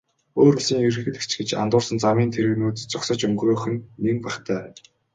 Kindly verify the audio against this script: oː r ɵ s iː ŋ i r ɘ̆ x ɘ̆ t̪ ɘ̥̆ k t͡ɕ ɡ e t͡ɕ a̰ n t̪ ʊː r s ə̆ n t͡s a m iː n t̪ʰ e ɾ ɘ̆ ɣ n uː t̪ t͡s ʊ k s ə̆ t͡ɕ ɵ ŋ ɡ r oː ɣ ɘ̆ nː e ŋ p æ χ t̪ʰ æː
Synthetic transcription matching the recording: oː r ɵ s iː ŋ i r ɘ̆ x ɘ̆ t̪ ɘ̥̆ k t͡ɕ ɡ e t͡ɕ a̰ n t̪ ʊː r s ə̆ n t͡s a m iː n t̪ʰ e ɾ ɘ̆ ɣ n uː t̪ t͡s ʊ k s ə̆ t͡ɕ ɵ ŋ ɡ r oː x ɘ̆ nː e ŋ p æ χ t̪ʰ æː